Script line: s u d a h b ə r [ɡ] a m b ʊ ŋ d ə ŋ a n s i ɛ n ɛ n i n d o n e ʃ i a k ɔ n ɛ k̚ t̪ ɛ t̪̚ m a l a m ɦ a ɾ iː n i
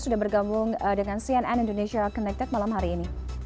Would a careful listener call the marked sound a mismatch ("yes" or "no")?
no